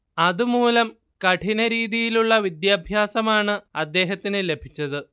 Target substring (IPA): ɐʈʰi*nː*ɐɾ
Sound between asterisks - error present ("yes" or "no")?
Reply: yes